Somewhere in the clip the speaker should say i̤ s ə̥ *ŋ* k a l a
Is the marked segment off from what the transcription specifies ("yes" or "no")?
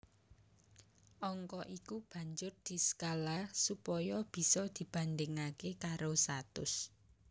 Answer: yes